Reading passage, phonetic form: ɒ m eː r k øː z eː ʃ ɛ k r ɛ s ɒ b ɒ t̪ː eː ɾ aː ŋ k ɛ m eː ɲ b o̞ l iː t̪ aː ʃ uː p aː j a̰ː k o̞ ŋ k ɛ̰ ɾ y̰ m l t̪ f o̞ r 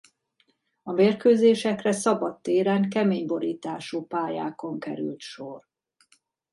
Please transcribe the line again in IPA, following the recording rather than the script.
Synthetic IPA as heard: ɒ m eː r k øː z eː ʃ ɛ k r ɛ s ɒ b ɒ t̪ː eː ɾ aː ŋ k ɛ m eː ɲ b o̞ ɾ iː t̪ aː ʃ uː p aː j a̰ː k o̞ ŋ k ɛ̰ ɾ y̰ l t̪ ʃ o̞ r